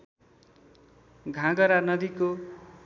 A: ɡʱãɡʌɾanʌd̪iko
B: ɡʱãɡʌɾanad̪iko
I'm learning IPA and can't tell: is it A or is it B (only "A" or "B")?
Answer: A